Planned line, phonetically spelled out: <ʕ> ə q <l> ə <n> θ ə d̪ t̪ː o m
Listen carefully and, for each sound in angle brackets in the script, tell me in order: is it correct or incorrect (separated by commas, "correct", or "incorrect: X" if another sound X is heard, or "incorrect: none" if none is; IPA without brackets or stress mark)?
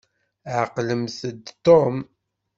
correct, correct, incorrect: m